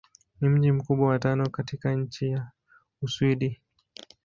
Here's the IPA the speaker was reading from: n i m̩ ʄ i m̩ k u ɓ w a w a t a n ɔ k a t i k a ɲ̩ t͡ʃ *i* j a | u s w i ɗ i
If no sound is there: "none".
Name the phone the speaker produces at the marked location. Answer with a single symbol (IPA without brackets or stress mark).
i